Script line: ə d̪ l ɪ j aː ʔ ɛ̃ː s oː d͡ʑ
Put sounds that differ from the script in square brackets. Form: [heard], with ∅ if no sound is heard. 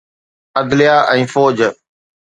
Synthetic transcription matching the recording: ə d̪ l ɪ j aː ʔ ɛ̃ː [f] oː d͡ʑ